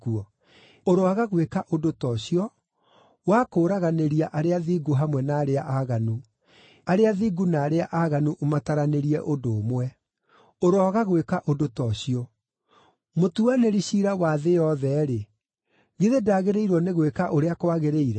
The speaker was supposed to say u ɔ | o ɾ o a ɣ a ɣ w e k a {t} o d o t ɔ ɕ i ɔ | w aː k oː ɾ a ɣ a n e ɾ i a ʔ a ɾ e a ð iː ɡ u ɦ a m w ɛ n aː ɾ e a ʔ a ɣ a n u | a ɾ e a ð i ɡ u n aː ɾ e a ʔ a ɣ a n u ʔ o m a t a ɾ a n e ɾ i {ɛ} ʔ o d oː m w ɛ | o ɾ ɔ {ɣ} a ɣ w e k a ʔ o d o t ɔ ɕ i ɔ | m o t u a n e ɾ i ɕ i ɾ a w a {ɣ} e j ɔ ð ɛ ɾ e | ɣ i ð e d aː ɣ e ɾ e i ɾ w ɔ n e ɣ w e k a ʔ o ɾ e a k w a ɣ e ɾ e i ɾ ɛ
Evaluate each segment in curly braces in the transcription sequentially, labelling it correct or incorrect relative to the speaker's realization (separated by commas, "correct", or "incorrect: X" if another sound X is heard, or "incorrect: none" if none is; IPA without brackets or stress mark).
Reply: incorrect: ʔ, correct, correct, incorrect: ð